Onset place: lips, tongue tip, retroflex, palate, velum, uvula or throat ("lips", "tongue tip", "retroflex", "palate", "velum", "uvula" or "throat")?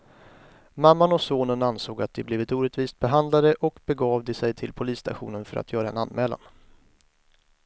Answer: lips